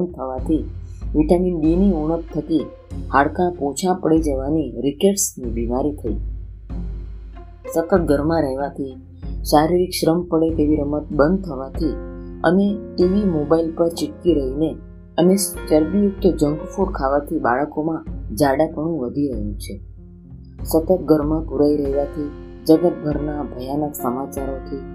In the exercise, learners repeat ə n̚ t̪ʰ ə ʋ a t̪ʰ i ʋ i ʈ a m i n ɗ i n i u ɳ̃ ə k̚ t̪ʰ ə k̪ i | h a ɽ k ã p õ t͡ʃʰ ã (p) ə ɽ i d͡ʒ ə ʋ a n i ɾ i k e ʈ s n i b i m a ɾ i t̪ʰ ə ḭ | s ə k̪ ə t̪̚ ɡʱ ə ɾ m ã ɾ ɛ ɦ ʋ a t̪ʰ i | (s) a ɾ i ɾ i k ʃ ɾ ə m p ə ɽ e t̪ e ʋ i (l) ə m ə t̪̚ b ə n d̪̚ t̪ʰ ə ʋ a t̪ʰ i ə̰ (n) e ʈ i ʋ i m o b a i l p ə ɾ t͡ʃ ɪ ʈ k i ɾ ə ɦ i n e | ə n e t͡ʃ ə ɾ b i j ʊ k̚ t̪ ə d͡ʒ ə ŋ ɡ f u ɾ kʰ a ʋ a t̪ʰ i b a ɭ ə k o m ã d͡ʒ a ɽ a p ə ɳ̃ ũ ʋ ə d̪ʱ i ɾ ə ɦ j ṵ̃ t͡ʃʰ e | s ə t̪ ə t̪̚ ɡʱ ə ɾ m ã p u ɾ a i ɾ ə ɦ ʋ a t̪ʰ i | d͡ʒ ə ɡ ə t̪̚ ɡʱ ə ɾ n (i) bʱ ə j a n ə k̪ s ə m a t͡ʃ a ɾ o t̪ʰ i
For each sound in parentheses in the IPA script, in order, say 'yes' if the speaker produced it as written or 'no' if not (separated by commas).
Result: yes, no, no, yes, no